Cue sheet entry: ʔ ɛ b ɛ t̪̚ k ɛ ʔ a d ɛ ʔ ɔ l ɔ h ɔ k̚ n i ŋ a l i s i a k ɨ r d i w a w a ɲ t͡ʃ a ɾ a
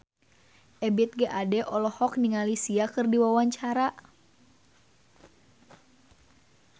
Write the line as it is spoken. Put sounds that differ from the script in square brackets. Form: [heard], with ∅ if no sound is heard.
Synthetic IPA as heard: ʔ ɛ b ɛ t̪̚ [ɡ] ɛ ʔ a d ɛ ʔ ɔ l ɔ h ɔ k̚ n i ŋ a l i s i a k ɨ r d i w a w a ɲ t͡ʃ a ɾ a